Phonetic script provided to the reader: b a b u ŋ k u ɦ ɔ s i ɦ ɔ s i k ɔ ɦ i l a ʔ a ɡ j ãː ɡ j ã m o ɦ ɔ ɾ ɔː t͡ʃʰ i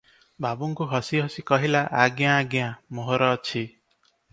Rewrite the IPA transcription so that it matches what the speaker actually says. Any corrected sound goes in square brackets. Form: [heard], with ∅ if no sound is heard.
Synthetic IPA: b a b u ŋ k u ɦ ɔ s i ɦ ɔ s i k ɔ ɦ i l a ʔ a ɡ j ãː ɡ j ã m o ɦ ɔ ɾ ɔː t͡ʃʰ i